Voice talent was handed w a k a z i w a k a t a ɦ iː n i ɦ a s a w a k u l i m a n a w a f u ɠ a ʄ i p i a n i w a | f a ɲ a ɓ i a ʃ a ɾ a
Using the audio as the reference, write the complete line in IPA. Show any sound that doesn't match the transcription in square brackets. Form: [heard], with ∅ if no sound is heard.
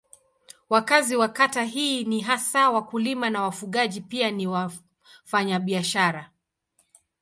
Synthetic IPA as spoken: w a k a z i w a k a t a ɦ iː n i ɦ a s a w a k u l i m a n a w a f u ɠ a ʄ i p i a n i w a | f a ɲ a ɓ i a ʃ a ɾ a